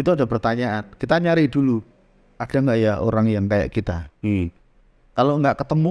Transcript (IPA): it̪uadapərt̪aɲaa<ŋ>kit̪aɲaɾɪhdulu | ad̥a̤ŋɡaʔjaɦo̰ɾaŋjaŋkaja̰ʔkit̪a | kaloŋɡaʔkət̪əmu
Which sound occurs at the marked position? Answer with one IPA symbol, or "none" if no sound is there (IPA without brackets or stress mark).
n